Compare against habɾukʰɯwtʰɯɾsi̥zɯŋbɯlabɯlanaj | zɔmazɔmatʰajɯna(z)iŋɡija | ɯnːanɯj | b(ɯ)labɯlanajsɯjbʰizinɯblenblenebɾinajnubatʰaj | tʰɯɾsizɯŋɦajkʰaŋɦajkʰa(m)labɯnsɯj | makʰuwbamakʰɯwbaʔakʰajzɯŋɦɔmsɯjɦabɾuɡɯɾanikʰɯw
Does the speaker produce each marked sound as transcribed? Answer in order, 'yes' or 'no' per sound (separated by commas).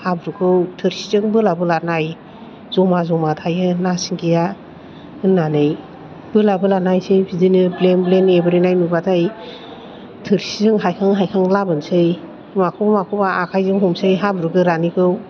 no, yes, no